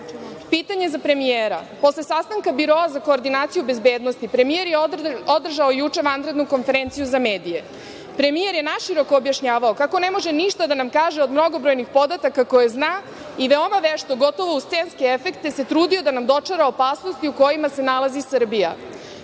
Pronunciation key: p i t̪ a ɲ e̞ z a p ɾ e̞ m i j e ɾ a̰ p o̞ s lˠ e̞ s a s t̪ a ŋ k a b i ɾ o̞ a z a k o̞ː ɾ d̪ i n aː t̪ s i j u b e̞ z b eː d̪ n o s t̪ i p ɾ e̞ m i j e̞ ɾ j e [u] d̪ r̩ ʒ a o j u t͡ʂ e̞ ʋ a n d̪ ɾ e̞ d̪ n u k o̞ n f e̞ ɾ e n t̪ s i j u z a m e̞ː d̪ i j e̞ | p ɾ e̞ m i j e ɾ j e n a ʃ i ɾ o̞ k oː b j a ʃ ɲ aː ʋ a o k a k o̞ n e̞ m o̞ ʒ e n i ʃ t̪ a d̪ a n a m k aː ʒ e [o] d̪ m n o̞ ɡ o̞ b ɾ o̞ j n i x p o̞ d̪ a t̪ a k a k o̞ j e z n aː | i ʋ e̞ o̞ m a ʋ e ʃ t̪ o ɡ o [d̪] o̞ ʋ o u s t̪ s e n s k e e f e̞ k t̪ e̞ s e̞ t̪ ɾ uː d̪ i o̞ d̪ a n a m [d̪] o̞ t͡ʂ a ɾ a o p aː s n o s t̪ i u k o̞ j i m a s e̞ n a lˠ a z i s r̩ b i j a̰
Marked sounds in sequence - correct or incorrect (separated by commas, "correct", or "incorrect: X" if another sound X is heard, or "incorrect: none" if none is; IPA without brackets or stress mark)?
incorrect: o, correct, incorrect: t̪, correct